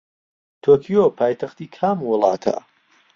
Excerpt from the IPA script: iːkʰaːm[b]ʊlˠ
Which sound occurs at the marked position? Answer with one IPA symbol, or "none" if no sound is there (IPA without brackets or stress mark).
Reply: w